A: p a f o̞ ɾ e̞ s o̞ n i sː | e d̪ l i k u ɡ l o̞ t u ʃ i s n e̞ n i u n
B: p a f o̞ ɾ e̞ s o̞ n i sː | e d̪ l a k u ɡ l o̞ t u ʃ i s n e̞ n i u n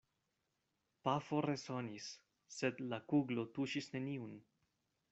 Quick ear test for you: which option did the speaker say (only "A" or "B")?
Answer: B